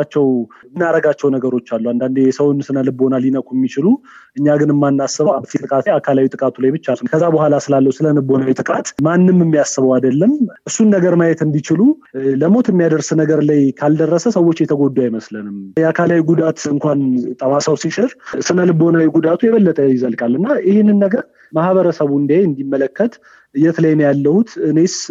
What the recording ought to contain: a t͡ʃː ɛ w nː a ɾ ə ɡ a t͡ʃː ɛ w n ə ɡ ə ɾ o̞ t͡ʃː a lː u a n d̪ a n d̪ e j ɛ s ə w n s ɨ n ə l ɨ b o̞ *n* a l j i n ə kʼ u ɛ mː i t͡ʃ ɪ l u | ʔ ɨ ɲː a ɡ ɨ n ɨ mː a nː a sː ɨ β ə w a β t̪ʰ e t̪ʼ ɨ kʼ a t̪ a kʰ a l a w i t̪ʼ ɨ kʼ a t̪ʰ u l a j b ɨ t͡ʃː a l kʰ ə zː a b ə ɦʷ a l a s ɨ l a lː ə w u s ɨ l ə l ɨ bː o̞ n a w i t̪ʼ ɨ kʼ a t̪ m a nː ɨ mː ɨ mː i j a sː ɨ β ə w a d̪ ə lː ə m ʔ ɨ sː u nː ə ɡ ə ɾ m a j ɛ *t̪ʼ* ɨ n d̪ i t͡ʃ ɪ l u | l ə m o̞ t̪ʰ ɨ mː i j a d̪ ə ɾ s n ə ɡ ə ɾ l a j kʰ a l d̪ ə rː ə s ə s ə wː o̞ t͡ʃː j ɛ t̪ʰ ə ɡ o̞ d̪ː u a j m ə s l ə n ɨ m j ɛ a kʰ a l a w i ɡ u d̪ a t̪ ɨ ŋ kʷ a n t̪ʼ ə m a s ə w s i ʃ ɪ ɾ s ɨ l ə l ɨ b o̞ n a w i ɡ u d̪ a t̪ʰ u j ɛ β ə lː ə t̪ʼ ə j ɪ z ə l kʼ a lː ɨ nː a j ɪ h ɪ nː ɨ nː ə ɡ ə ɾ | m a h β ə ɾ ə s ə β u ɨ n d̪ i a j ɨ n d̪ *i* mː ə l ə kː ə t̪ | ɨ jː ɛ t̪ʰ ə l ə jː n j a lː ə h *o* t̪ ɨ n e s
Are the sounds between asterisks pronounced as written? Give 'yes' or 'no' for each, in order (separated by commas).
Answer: yes, no, yes, no